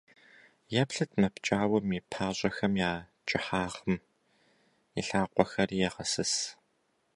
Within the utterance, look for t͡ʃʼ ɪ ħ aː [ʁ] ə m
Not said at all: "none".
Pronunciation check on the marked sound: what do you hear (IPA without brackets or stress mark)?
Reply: ʁ